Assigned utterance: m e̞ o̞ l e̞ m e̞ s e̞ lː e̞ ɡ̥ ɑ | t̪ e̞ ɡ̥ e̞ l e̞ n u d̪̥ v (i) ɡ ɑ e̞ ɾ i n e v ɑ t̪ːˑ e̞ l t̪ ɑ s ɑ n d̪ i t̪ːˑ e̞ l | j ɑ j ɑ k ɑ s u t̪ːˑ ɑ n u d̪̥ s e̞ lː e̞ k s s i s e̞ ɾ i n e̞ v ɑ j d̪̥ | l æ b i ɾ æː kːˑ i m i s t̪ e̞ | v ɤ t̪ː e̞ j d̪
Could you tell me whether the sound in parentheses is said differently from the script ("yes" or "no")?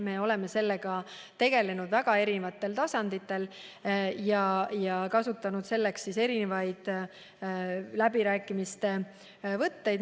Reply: yes